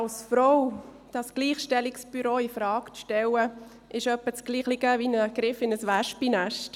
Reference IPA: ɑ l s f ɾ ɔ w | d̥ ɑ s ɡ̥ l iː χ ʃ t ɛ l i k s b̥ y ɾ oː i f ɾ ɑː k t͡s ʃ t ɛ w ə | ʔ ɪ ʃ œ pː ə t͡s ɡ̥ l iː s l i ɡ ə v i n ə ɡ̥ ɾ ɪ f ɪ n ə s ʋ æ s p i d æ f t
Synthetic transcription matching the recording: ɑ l s f ɾ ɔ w | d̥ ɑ s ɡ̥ l iː χ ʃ t ɛ l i k s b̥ y ɾ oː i f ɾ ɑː k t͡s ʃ t ɛ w ə | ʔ ɪ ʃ œ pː ə t͡s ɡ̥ l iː χ l i ɡ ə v i n ə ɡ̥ ɾ ɪ f ɪ n ə s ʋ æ ʃ p i n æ ʃ t